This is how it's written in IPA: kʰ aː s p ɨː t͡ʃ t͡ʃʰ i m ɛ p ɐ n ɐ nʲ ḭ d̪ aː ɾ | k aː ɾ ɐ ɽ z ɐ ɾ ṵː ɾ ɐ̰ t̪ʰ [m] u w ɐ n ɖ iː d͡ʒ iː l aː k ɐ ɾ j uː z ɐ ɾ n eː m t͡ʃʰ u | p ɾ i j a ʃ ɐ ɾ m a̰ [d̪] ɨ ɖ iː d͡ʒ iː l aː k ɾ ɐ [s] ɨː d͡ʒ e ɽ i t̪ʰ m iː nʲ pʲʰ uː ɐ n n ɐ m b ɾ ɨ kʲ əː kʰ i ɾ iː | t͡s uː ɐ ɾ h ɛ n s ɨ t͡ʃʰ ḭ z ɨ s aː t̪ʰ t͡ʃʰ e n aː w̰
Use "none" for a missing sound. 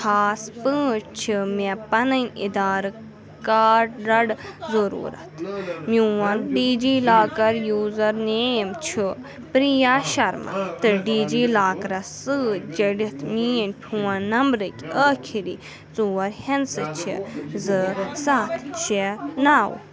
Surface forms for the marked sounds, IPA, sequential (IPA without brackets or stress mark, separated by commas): m, t̪, s